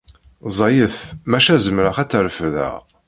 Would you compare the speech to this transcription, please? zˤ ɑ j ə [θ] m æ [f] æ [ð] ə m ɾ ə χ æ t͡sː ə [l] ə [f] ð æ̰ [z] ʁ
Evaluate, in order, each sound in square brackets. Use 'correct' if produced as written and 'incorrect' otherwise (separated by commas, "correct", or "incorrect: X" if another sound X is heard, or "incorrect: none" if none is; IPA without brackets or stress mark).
correct, incorrect: ʃ, incorrect: z, incorrect: ɾ, correct, incorrect: none